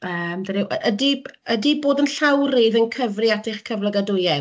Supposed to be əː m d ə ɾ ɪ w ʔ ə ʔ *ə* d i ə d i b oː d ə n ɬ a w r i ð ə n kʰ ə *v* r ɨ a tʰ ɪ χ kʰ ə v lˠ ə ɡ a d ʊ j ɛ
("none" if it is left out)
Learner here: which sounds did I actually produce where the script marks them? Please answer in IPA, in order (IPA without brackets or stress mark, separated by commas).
ə, v